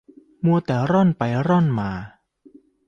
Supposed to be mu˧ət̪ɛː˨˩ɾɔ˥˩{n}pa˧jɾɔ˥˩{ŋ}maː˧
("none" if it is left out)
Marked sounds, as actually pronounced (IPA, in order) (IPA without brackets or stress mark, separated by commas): n, n